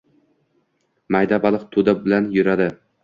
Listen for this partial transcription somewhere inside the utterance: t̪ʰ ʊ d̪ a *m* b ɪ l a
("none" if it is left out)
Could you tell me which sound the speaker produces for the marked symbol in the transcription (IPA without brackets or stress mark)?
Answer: none